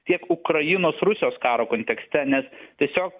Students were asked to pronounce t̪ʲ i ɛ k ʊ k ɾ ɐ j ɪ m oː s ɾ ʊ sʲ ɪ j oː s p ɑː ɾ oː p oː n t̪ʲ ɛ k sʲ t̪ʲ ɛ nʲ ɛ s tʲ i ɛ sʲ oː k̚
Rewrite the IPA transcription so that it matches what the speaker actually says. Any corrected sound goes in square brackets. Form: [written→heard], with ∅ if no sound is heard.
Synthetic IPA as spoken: t̪ʲ i ɛ k ʊ k ɾ ɐ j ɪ [m→n] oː s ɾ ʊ sʲ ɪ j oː s [p→k] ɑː ɾ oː [p→k] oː n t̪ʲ ɛ k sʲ t̪ʲ ɛ nʲ ɛ s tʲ i ɛ sʲ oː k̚